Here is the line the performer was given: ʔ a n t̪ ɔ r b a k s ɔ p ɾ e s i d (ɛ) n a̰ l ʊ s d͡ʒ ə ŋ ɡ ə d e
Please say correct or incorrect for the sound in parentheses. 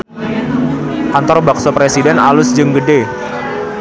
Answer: correct